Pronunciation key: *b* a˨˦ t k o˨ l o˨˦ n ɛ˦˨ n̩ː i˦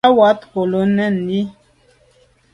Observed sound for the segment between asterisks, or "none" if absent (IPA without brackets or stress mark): w